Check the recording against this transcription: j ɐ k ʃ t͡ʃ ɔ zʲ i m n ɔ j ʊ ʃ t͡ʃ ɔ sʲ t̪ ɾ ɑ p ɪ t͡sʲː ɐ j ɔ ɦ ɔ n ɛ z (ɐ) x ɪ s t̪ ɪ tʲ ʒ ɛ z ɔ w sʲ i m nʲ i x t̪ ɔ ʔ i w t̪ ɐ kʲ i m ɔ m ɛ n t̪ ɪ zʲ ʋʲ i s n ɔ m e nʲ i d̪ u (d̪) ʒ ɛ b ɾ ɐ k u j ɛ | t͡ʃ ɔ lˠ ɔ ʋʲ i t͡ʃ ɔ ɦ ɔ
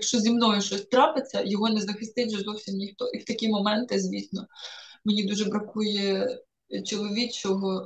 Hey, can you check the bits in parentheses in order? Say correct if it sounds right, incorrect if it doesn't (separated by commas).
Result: correct, incorrect